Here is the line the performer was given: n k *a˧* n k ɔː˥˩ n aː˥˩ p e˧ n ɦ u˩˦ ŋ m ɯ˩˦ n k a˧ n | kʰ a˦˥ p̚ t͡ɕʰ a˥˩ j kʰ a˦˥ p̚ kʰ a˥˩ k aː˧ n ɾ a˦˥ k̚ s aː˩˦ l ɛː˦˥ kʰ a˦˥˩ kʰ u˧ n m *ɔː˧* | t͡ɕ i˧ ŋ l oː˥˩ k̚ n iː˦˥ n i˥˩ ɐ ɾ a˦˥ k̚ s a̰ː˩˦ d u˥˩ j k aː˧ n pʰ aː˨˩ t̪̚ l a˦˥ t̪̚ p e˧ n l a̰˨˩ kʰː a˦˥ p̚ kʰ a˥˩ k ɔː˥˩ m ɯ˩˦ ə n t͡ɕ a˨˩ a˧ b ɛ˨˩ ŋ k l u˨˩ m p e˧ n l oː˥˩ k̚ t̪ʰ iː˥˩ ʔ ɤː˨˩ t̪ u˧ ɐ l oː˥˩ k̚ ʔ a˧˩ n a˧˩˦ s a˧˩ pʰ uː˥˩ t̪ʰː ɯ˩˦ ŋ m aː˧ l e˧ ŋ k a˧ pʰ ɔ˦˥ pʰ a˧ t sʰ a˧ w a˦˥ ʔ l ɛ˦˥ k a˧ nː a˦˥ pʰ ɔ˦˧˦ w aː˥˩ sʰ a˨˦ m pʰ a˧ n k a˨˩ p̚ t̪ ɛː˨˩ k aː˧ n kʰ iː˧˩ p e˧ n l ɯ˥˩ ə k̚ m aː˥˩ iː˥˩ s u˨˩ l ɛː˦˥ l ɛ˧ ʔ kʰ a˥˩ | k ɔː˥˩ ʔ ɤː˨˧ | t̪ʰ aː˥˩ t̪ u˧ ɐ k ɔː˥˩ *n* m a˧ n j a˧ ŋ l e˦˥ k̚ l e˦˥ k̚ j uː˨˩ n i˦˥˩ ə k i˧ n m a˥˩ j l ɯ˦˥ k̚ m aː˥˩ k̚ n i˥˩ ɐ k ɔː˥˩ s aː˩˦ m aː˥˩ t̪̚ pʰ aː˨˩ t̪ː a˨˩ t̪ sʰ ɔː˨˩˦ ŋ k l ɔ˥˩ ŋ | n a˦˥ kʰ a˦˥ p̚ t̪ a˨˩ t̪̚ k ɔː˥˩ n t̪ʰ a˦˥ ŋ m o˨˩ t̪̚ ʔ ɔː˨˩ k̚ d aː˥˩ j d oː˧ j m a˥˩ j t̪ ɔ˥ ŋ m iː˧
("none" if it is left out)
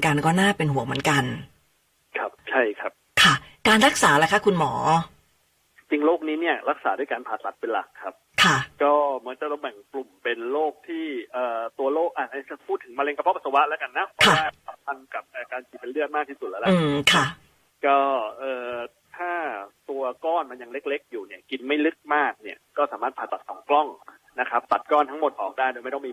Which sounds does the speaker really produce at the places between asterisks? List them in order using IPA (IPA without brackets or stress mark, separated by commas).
a˧, ɔː˩˦, n